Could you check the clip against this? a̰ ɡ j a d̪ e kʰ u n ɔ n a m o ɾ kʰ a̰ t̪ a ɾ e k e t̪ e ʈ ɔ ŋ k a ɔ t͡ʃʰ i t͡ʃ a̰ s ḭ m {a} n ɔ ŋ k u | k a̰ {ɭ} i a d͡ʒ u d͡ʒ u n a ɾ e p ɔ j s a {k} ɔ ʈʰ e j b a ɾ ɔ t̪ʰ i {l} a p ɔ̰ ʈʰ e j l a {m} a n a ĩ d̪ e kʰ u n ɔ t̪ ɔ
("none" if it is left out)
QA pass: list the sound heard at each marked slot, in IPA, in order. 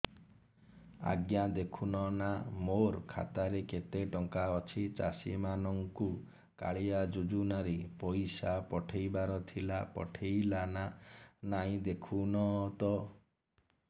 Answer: a, ɭ, p, l, n

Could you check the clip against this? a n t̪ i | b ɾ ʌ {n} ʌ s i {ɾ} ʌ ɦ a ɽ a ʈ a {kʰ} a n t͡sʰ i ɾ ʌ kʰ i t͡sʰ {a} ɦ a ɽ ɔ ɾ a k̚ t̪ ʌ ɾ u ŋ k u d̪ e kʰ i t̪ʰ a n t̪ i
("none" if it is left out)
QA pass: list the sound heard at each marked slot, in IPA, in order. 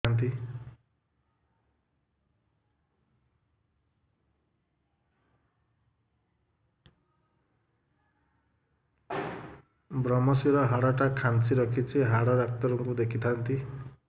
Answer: m, ɾ, kʰ, i

